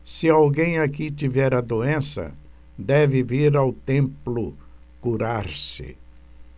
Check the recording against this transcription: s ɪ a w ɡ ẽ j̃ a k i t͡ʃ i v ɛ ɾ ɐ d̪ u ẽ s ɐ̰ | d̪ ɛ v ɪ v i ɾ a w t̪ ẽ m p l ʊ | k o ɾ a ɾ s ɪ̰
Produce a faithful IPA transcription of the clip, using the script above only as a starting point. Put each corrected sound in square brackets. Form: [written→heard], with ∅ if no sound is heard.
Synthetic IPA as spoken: s ɪ a w ɡ ẽ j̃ a k i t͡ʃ i v ɛ ɾ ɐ d̪ [u→o] ẽ s ɐ̰ | d̪ ɛ v ɪ v i ɾ a w t̪ ẽ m p l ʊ | k [o→u] ɾ a ɾ s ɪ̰